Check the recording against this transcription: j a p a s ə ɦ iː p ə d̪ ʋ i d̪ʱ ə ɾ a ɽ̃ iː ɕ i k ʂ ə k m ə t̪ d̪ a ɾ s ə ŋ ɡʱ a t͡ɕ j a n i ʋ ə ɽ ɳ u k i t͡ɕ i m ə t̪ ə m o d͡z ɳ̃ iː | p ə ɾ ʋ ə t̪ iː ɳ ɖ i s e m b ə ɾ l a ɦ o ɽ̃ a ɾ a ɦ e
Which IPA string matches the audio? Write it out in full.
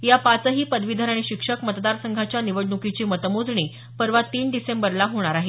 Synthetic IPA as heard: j a p a t͡s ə ɦ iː p ə d̪ ʋ i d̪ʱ ə ɾ a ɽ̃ i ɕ i k ʂ ə k m ə t̪ d̪ a ɾ s ə ŋ ɡʱ a t͡ɕ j a n i ʋ ə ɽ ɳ u k i t͡ɕ iː m ə t̪ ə m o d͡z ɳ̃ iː | p ə ɾ ʋ a t̪ iː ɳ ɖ i s e m b ə ɾ l a ɦ o ɽ̃ a ɾ a ɦ e